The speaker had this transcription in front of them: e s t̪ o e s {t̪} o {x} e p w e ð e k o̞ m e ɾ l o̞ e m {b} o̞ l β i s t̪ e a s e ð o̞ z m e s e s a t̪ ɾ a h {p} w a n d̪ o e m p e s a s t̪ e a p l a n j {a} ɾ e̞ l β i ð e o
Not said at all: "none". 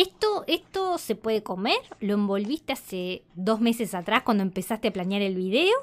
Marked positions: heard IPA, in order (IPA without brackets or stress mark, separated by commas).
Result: t̪, s, b, k, a